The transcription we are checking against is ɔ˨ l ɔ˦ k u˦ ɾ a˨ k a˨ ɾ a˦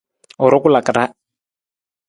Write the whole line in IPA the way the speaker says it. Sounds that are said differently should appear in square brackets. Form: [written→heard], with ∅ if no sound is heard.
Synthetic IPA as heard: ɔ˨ [l→ɾ] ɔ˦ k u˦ [ɾ→l] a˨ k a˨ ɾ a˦